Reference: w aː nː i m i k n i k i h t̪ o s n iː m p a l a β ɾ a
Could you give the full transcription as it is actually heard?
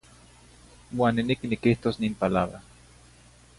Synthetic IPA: w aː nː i n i k n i k i h t̪ o s n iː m p a l a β ɾ a